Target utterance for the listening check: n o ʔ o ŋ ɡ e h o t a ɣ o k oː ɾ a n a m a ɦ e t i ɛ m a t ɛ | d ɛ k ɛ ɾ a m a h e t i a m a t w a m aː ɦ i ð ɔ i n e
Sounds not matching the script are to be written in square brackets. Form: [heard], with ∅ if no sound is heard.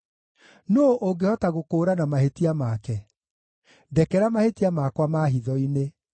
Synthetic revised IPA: n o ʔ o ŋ ɡ e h [ɔ] t a ɣ o k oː ɾ a n a m a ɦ e t i [a] m a [k] ɛ | d ɛ k ɛ ɾ a m a h e t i a m a [k] w a m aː ɦ i ð ɔ i n e